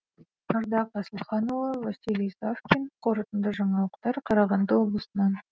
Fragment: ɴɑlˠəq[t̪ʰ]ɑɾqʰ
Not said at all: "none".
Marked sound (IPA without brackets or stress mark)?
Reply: t̪